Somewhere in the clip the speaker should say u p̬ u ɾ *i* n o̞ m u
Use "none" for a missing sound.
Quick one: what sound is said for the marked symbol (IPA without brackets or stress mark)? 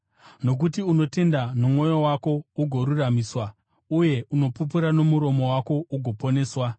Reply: a